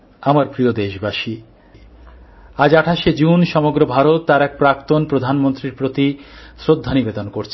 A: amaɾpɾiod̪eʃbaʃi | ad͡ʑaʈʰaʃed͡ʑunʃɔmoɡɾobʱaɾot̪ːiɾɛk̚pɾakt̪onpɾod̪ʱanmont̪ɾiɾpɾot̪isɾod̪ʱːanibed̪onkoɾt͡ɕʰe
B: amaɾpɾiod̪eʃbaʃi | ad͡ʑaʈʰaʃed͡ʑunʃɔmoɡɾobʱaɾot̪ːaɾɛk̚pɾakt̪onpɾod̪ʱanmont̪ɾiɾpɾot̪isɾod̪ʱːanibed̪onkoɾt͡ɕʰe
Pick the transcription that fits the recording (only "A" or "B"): B